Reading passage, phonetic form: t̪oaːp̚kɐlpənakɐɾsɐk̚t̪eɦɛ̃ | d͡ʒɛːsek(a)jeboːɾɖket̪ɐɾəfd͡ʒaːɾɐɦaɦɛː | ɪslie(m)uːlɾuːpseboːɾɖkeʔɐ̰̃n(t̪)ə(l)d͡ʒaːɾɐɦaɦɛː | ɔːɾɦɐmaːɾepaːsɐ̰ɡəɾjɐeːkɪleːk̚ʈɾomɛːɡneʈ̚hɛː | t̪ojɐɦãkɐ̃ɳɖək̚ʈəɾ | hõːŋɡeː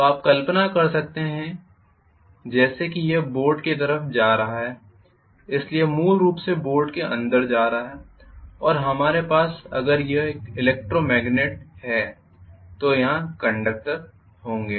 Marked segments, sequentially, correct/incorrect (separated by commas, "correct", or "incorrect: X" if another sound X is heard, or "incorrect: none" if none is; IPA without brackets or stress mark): incorrect: i, correct, incorrect: d̪, incorrect: ɾ